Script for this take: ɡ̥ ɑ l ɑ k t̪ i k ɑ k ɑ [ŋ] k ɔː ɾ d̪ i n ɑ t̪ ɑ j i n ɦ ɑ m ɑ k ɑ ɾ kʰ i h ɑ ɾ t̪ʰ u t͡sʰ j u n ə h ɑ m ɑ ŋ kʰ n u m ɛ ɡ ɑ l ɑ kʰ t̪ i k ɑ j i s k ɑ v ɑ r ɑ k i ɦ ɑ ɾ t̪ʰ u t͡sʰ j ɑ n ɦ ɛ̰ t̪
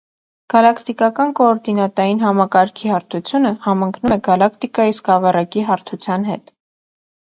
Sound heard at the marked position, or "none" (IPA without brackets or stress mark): n